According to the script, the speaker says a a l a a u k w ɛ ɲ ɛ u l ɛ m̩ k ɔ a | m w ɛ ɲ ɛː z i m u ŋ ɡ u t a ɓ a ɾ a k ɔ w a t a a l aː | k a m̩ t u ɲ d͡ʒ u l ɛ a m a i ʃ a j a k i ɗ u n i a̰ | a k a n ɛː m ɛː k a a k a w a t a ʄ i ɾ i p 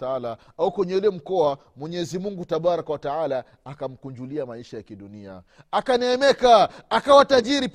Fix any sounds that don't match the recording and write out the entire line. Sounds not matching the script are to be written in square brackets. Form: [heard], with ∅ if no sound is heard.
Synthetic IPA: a a l a a u k w ɛ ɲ ɛ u l ɛ m̩ k ɔ a | m w ɛ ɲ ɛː z i m u ŋ ɡ u t a ɓ a ɾ a k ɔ w a t a a l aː | k a m̩ [k] u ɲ d͡ʒ u l [i] a m a i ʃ a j a k i ɗ u n i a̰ | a k a n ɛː m [ɛ] k a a k a w a t a ʄ i ɾ i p